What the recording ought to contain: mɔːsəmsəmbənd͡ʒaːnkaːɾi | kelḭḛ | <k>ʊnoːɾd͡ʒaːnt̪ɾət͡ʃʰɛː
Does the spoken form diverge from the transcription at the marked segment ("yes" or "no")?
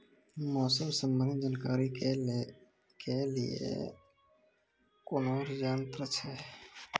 no